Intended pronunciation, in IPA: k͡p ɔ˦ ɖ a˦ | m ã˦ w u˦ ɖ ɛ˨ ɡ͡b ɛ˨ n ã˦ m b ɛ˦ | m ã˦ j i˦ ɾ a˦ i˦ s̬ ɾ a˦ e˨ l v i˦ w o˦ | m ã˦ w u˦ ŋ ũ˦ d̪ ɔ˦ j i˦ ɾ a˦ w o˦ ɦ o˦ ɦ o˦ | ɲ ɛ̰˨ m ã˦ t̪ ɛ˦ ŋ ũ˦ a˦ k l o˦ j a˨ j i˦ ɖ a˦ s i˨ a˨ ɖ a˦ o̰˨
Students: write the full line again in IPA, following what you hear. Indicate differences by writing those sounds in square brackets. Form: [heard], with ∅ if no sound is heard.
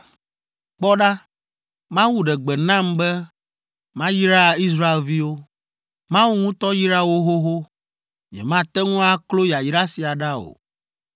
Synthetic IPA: k͡p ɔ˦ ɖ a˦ | m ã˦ w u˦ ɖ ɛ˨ ɡ͡b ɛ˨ n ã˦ m b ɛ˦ | m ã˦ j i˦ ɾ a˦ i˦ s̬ ɾ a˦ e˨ l v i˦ w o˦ | m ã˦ w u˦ ŋ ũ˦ [t̪] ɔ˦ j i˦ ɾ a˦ w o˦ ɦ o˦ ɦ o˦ | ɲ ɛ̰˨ m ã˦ t̪ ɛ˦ ŋ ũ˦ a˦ k l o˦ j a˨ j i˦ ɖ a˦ s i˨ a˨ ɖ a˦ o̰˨

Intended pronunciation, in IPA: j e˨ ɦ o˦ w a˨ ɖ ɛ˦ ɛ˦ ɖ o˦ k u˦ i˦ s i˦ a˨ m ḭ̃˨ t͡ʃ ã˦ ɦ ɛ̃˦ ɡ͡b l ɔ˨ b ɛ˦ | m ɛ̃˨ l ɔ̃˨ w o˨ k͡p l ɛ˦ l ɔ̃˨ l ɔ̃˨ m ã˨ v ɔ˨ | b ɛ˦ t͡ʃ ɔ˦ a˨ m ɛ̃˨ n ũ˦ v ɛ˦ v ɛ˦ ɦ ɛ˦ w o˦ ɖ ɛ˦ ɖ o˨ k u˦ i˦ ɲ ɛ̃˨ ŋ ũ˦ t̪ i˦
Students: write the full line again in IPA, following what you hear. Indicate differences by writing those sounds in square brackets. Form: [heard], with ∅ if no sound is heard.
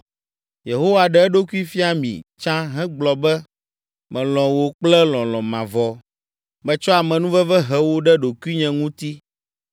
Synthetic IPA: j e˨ ɦ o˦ w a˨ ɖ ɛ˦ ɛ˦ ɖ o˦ k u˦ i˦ [f] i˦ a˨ m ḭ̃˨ t͡ʃ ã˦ ɦ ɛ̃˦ ɡ͡b l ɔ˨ b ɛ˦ | m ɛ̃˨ l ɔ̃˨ w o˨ k͡p l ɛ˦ l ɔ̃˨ l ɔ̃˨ m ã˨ v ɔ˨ | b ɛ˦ t͡ʃ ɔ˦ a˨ m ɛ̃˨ n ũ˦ v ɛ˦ v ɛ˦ ɦ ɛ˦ w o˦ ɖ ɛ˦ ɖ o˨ k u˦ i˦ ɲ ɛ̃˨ ŋ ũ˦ t̪ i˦

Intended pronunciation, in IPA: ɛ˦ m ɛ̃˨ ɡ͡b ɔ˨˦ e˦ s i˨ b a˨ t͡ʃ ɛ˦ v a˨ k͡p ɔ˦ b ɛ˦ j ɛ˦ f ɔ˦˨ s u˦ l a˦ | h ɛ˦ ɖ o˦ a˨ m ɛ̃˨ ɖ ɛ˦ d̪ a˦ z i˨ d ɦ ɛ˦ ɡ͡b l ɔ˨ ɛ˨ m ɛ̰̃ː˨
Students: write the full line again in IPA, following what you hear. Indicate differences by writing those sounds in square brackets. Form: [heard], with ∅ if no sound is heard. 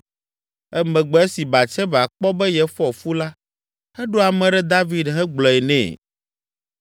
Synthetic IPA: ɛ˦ m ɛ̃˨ ɡ͡b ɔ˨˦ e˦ s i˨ b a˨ t͡ʃ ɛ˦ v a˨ k͡p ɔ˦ b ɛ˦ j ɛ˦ f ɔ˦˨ [f] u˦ l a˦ | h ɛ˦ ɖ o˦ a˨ m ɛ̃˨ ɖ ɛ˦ d̪ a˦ [v] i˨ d ɦ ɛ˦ ɡ͡b l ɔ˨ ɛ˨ [n] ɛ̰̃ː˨

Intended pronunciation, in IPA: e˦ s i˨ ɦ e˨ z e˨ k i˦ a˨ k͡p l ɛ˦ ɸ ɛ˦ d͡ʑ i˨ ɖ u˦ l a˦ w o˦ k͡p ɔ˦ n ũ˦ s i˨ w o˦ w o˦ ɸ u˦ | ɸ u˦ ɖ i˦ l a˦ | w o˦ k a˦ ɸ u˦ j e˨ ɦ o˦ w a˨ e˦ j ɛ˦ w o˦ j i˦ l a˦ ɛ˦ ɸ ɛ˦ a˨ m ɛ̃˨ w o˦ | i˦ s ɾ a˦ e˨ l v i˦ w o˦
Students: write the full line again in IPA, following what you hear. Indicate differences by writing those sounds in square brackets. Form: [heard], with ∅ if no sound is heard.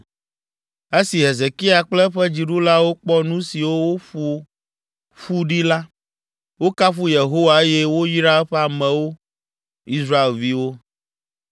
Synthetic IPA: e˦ s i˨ ɦ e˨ z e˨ k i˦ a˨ k͡p l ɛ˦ ɸ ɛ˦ d͡ʑ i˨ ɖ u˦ l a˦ w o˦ k͡p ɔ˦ n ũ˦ s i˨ w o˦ w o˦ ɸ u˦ | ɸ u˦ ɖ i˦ l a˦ | w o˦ k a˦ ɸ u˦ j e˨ ɦ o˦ w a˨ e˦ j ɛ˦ w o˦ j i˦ [ɾ] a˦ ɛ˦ ɸ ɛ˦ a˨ m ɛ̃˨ w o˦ | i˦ s ɾ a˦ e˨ l v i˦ w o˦

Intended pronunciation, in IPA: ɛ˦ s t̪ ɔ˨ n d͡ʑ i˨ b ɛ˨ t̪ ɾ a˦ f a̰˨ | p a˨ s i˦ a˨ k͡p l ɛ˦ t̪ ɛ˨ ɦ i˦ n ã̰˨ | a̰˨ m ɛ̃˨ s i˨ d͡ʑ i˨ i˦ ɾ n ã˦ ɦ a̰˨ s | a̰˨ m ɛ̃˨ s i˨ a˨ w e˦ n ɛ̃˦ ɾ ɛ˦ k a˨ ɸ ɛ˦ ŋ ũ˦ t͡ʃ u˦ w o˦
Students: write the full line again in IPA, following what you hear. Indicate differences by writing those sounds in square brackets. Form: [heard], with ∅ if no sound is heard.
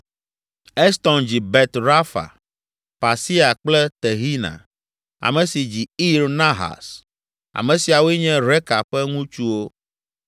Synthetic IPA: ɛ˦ s t̪ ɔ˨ n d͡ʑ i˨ b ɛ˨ t̪ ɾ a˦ f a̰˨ | p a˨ s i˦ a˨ k͡p l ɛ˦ t̪ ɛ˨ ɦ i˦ n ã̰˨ | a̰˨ m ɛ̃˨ s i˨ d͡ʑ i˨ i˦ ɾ n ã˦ ɦ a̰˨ s | a̰˨ m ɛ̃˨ s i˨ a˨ w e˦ [ɲ] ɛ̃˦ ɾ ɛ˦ k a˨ ɸ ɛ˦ ŋ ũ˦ t͡ʃ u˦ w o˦

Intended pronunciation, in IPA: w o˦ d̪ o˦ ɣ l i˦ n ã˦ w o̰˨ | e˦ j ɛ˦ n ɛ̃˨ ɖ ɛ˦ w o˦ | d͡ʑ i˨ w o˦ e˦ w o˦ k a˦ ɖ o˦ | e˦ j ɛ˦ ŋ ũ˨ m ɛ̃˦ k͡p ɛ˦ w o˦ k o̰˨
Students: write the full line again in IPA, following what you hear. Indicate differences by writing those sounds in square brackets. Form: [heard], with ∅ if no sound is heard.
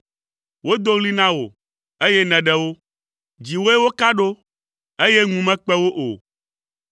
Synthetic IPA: w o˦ d̪ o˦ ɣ l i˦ n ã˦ w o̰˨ | e˦ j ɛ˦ n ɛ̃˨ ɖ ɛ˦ w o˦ | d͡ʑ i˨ w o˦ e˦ w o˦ k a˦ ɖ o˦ | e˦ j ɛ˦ ŋ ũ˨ m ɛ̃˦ k͡p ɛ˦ w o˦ [ʔ] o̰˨

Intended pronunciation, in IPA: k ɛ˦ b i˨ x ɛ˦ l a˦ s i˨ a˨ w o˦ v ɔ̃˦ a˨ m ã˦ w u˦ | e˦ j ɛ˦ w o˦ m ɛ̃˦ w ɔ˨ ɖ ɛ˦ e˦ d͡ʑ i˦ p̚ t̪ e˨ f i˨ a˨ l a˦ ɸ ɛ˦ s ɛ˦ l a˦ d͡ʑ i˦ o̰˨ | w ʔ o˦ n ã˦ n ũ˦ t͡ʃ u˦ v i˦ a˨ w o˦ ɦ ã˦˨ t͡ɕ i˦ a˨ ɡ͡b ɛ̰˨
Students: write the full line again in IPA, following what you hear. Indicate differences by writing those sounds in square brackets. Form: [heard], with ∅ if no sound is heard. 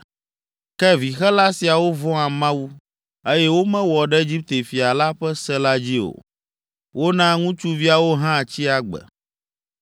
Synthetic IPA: k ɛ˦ [v] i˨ x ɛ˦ l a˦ s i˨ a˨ w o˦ v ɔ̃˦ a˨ m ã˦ w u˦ | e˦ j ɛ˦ w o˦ m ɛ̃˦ w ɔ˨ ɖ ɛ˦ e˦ d͡ʑ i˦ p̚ t̪ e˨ f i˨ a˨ l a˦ ɸ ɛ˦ s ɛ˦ l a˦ d͡ʑ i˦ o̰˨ | w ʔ o˦ n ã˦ [ŋ] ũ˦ t͡ʃ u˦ v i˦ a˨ w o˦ ɦ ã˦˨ t͡ɕ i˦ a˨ ɡ͡b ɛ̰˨

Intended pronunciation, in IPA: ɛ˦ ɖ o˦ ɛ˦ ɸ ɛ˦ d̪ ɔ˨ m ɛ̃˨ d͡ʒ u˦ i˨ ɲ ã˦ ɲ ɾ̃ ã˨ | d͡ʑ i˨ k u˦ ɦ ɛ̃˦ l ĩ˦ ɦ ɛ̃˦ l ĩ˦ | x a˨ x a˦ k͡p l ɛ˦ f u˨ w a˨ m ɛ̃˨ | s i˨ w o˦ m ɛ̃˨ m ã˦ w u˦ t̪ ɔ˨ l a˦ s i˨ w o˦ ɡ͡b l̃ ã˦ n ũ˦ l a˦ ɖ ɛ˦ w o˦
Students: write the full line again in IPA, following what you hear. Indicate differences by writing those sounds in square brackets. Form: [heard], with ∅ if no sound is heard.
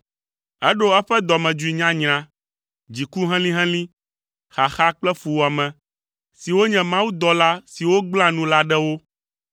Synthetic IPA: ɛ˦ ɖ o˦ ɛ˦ ɸ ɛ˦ d̪ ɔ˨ m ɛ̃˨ d͡ʒ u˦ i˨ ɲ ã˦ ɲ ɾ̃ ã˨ | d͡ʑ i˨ k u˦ ɦ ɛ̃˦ l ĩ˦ ɦ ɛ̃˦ l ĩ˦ | x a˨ x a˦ k͡p l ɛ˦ f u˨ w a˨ m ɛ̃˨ | s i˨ w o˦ [ɲ] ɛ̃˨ m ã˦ w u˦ [d̪] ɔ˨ l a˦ s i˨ w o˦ ɡ͡b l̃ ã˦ n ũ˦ l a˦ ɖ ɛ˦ w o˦

